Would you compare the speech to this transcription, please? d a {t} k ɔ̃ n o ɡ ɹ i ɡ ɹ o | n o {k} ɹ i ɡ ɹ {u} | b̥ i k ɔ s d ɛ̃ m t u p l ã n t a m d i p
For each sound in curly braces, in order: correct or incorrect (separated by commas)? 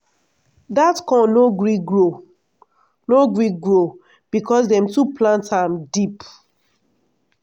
correct, incorrect, incorrect